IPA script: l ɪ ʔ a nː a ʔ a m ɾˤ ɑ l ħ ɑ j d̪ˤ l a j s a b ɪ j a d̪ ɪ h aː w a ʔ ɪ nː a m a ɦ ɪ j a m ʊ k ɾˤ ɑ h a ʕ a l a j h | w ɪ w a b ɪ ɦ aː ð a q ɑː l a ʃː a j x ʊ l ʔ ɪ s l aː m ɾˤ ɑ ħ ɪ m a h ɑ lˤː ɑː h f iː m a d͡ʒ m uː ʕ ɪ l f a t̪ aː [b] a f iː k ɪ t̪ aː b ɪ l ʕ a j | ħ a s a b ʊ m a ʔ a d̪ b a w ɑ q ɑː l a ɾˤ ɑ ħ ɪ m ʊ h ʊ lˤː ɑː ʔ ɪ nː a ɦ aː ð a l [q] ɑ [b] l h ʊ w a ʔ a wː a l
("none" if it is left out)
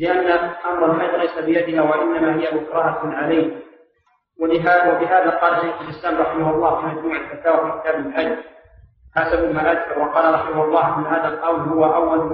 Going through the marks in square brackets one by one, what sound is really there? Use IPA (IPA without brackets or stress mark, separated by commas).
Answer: w, q, w